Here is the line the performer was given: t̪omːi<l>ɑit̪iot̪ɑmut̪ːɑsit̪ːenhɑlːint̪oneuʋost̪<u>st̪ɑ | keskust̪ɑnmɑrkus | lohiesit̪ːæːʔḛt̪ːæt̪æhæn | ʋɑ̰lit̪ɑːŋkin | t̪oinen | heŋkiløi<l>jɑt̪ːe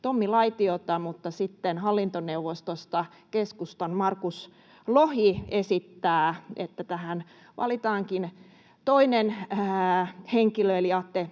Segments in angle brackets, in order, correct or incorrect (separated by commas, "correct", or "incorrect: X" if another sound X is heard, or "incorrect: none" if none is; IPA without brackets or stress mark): correct, incorrect: o, correct